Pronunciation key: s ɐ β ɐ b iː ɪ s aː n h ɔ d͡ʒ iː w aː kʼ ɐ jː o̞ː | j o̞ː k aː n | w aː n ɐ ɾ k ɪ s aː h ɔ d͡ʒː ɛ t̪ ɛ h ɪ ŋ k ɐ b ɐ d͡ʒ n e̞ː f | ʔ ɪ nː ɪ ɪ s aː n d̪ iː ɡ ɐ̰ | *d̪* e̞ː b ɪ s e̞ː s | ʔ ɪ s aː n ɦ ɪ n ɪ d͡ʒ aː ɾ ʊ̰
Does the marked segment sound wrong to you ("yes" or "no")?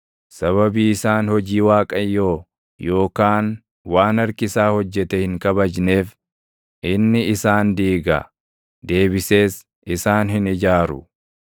no